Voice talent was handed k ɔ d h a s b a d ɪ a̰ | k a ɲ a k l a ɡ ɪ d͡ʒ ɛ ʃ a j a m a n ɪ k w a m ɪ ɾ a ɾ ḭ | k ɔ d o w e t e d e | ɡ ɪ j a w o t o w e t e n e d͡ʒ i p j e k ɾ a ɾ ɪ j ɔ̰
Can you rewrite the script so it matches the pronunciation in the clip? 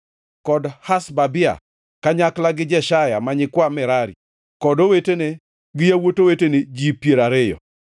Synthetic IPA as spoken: k ɔ d h a s b a b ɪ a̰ | k a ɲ a k l a ɡ ɪ d͡ʒ ɛ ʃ a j a m a ɲ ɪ k w a m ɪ ɾ a ɾ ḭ | k ɔ d o w e t e n e | ɡ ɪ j a w o t o w e t e n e d͡ʒ i p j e ɾ a ɾ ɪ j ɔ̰